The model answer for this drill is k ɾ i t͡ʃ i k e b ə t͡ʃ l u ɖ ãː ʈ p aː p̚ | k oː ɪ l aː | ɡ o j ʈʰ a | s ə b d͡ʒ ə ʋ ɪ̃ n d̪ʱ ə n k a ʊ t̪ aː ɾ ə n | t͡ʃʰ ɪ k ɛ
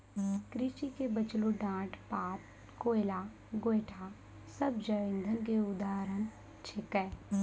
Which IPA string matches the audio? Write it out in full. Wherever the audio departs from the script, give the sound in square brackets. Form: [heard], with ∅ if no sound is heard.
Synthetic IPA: k ɾ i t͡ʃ i k e b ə t͡ʃ l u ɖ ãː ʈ p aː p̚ | k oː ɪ l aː | ɡ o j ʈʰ a | s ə b d͡ʒ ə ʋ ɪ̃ n d̪ʱ ə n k [e] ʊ [d̪] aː ɾ ə n | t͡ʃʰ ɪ k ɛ